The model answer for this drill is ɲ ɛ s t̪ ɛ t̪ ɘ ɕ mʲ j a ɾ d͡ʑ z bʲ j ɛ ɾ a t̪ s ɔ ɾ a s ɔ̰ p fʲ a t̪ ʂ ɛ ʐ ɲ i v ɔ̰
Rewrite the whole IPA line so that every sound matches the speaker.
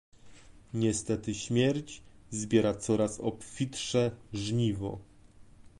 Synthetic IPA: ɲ ɛ s t̪ ɛ t̪ ɘ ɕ mʲ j ɛ ɾ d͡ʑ z bʲ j ɛ ɾ a t̪ s ɔ ɾ a s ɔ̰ p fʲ i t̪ ʂ ɛ ʐ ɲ i v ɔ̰